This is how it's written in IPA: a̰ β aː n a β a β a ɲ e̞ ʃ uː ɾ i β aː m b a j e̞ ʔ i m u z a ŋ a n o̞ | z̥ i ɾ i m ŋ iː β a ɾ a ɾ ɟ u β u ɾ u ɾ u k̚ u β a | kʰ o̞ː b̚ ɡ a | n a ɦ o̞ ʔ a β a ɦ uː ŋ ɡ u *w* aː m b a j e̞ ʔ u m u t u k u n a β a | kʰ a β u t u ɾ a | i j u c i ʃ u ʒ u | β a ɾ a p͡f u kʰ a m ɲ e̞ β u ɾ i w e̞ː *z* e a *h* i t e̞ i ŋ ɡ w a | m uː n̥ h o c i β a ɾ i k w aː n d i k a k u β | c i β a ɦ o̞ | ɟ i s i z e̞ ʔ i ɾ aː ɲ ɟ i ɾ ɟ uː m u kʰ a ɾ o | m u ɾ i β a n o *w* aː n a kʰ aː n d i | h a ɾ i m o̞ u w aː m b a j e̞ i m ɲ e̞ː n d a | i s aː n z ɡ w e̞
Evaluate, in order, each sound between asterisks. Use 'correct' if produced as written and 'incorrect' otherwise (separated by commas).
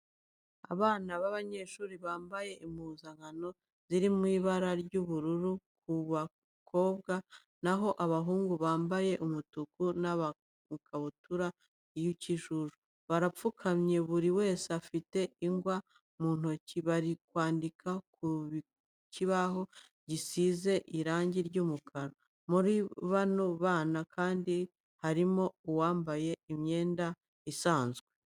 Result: incorrect, incorrect, incorrect, incorrect